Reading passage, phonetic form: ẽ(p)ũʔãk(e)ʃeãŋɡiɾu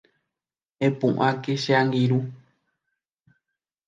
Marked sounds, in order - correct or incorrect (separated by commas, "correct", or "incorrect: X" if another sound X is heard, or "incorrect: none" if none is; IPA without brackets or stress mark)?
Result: correct, correct